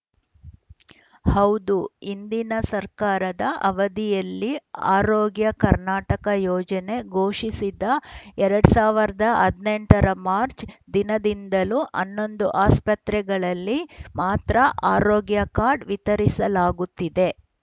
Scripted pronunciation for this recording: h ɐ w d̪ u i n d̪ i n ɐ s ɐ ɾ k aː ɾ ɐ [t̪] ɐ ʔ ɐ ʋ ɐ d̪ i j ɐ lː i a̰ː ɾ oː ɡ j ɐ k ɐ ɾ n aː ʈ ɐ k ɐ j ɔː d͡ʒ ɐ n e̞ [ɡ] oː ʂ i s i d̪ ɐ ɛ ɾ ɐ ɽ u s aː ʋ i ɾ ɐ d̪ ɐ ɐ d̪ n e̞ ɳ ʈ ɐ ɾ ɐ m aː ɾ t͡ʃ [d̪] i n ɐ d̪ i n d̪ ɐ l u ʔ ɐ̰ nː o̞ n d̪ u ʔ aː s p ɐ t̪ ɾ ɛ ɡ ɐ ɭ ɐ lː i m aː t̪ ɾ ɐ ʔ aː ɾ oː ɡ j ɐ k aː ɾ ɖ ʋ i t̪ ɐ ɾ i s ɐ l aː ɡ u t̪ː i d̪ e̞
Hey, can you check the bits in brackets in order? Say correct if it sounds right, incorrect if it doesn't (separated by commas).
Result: incorrect, correct, correct